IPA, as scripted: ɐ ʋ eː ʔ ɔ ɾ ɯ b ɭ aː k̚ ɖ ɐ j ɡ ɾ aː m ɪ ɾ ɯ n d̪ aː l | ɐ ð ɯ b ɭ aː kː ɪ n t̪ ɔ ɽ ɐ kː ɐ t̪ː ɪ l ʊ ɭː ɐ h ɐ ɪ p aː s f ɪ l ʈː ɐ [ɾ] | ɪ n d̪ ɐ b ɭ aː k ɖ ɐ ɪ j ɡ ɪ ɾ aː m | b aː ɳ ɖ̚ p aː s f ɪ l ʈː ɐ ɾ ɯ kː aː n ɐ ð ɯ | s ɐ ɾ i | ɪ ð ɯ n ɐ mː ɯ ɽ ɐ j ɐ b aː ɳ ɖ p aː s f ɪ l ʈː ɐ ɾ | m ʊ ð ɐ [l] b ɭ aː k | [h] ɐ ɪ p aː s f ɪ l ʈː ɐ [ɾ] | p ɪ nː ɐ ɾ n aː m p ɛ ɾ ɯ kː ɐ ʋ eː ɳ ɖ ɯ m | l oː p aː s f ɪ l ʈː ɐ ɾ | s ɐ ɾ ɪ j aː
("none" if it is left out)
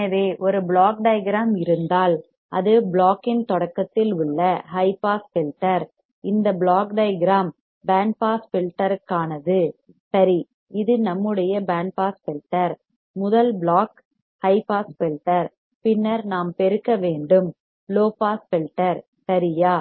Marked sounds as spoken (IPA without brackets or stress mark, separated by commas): ɾ, l, h, ɾ